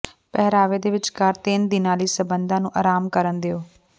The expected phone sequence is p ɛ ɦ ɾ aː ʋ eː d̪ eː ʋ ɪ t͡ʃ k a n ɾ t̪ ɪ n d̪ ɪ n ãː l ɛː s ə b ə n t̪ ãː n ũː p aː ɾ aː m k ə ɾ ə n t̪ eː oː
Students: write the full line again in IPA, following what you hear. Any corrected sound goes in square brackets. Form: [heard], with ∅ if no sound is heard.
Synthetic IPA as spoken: p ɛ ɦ ɾ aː ʋ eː d̪ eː ʋ ɪ t͡ʃ k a [∅] ɾ t̪ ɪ n d̪ ɪ n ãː l [iː] s ə b ə n [d̪] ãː n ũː [ʔ] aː ɾ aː m k ə ɾ ə n [d̪] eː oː